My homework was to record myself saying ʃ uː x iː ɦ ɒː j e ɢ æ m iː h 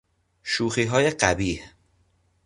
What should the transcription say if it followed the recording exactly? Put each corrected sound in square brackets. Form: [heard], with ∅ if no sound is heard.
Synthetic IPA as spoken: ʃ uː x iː ɦ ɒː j e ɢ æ [b] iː h